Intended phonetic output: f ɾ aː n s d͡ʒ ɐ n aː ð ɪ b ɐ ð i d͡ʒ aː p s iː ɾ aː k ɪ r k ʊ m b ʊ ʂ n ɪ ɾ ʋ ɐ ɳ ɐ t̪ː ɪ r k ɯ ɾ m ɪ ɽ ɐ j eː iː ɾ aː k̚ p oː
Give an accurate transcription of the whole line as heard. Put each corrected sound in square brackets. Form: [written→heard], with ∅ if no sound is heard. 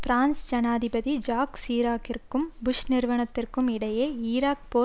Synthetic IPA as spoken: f ɾ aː n s d͡ʒ ɐ n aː ð ɪ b ɐ ð i d͡ʒ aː [p→k] s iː ɾ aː k ɪ r k [ʊ→ɯ] m b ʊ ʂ n ɪ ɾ ʋ ɐ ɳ ɐ t̪ː ɪ r k ɯ [ɾ→∅] m ɪ ɽ ɐ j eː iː ɾ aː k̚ p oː